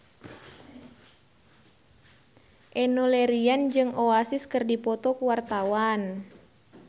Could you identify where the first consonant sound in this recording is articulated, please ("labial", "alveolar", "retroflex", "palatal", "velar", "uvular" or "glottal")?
glottal